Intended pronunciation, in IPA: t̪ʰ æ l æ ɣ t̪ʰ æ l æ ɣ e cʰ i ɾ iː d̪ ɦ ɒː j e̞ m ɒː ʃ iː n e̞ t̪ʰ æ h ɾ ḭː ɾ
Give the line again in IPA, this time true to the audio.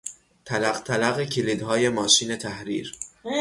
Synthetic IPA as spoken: t̪ʰ æ l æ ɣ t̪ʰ æ l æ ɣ e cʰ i l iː d̪ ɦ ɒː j e̞ m ɒː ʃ iː n e̞ t̪ʰ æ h ɾ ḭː ɾ